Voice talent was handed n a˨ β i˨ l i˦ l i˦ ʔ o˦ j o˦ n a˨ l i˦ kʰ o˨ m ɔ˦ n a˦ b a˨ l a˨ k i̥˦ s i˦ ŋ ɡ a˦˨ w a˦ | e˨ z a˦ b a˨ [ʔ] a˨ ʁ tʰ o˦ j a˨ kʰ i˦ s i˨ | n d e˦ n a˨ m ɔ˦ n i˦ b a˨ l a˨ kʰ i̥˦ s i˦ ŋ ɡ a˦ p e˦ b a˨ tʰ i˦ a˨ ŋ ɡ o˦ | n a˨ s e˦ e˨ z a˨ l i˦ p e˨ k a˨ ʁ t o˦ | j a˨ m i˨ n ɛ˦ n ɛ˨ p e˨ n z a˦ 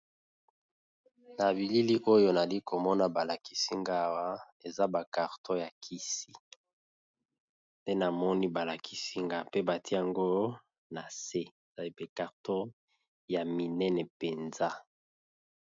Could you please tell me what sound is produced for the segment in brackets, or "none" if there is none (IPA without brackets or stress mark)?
k